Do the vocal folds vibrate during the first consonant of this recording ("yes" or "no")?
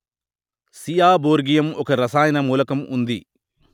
no